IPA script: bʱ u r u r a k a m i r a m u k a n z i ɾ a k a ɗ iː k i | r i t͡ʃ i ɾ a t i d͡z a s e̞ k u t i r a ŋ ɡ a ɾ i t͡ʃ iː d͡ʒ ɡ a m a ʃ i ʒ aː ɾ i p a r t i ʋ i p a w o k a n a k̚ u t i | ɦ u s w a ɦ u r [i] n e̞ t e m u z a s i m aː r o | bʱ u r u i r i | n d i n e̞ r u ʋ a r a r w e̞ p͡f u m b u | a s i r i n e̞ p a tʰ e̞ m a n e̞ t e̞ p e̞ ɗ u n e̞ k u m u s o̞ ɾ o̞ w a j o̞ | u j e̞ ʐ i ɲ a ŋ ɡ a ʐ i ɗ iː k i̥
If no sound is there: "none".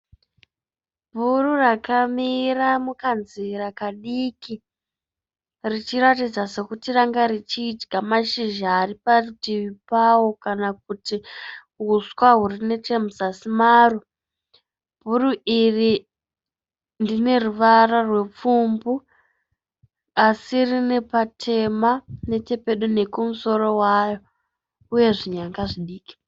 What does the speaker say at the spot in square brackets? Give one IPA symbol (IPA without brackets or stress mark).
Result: i